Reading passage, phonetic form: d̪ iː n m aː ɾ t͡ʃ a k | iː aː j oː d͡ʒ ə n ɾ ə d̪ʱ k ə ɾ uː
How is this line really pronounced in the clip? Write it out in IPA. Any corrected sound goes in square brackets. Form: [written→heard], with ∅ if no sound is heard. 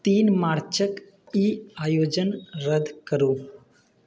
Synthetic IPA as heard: [d̪→t̪] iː n m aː ɾ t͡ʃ [a→ə] k | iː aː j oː d͡ʒ ə n ɾ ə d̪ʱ k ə ɾ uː